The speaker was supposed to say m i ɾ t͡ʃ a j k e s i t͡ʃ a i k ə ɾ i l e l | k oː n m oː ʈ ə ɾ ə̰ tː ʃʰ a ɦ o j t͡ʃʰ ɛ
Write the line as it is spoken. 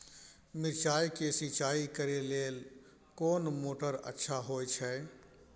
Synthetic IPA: m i ɾ t͡ʃ a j k e s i t͡ʃ a i k ə ɾ e l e l | k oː n m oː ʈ ə ɾ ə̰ tː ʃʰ a ɦ o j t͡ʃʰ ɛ